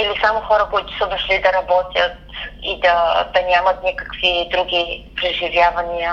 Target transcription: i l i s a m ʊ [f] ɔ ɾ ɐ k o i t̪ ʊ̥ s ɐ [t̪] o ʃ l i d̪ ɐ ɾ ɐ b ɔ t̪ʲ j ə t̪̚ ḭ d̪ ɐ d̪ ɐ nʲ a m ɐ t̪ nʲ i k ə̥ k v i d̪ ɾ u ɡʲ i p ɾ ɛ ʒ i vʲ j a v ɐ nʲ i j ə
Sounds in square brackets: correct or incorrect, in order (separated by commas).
incorrect, incorrect